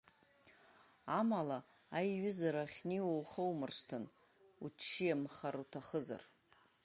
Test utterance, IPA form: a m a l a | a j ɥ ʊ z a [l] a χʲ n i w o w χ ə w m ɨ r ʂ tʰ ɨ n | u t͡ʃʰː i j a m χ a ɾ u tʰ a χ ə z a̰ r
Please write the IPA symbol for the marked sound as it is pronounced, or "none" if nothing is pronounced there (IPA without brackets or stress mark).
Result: ɾ